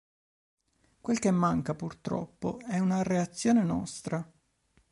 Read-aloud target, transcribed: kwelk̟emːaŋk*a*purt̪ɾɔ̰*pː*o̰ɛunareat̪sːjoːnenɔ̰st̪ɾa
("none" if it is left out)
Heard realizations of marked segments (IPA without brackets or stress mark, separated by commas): a, pː